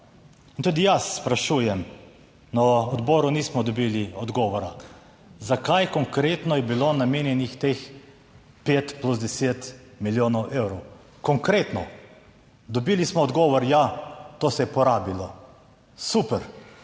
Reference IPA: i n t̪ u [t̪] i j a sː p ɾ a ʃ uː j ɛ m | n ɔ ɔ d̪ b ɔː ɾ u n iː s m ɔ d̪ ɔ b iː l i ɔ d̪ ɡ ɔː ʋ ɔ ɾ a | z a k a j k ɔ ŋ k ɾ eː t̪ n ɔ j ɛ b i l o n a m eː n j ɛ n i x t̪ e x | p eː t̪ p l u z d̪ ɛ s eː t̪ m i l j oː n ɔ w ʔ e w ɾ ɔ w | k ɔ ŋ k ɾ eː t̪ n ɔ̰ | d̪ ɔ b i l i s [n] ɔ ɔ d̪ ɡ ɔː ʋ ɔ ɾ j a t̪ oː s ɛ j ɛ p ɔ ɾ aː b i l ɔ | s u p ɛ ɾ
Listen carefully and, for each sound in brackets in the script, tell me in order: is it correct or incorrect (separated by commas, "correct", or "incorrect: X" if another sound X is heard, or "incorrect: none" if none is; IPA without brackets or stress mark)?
incorrect: d̪, incorrect: m